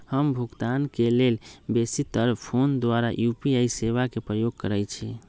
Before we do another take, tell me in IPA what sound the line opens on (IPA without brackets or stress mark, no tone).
h